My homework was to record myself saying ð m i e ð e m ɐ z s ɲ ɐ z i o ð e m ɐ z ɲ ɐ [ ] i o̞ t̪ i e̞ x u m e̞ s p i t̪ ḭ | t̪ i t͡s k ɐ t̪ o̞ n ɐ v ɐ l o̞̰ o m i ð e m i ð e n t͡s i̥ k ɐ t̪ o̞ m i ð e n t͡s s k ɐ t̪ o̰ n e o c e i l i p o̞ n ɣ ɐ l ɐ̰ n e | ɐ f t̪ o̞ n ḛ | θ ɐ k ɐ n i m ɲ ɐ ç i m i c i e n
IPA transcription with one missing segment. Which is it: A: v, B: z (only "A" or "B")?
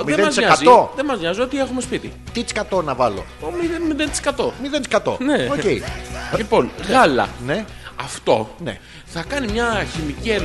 B